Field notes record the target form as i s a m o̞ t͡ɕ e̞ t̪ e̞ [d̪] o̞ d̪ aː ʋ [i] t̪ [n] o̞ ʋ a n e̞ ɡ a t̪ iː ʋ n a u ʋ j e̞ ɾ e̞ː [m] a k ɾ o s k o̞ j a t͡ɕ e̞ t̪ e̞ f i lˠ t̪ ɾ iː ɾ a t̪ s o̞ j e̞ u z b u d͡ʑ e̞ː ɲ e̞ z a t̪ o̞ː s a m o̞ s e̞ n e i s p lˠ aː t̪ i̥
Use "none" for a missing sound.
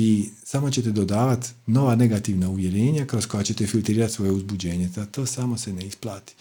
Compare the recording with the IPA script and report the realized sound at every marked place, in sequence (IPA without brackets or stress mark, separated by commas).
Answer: d̪, a, n, ɲ